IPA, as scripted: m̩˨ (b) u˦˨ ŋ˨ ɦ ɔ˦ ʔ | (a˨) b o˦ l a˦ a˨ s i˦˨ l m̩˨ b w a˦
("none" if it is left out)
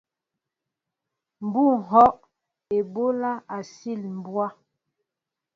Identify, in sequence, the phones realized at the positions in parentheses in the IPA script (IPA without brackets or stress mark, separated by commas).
b, e˨